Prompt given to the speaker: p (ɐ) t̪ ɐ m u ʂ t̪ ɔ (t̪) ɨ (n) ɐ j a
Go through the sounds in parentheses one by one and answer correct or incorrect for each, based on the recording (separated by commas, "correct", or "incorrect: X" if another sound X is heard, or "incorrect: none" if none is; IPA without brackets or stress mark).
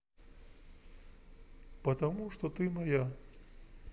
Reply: correct, correct, incorrect: m